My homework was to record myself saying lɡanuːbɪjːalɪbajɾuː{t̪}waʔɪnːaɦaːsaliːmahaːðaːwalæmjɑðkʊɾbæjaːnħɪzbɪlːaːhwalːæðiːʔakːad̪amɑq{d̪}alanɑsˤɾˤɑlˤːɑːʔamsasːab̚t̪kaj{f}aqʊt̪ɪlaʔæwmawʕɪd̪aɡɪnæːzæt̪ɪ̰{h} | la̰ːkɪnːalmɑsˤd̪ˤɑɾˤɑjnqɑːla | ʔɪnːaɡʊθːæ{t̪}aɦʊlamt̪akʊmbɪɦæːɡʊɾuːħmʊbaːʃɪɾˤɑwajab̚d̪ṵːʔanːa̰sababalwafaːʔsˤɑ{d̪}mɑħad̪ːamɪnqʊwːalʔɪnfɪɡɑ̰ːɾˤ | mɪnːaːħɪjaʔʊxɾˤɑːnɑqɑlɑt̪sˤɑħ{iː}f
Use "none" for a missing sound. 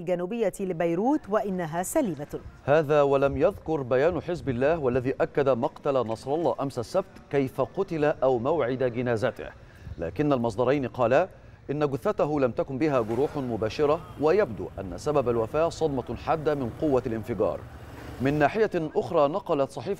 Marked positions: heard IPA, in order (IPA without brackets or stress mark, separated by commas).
t̪, t̪, f, h, t̪, d̪, iː